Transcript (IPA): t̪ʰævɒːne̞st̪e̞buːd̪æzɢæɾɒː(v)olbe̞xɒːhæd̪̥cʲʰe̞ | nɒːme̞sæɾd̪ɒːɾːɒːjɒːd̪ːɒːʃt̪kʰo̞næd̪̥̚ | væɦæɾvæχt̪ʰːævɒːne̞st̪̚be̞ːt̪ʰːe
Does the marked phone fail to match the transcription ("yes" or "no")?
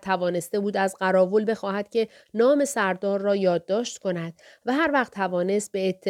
no